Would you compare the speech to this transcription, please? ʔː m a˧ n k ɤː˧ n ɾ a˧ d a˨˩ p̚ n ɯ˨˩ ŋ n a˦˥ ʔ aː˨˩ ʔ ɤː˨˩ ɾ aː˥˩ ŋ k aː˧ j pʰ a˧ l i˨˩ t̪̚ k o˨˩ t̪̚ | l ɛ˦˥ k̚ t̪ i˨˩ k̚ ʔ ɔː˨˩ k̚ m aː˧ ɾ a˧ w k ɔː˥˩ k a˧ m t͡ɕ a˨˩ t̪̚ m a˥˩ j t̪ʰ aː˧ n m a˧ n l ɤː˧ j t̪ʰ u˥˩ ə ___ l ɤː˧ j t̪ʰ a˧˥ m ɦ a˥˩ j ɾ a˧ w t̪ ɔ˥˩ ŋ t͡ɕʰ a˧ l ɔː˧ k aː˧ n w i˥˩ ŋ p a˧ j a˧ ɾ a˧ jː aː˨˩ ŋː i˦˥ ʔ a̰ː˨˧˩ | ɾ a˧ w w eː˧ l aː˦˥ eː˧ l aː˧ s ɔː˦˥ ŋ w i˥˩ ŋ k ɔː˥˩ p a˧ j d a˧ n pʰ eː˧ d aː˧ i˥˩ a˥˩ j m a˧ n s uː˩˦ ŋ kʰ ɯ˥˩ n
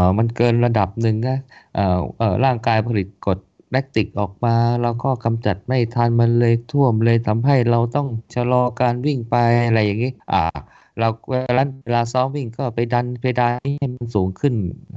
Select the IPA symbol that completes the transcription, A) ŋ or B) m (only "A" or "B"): B